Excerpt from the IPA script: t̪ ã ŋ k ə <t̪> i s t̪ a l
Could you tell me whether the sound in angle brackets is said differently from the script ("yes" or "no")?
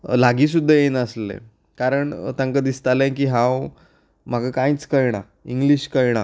yes